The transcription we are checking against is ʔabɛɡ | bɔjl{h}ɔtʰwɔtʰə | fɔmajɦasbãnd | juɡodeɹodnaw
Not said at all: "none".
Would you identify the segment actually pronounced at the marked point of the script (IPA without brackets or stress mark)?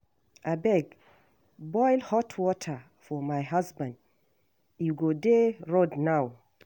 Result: h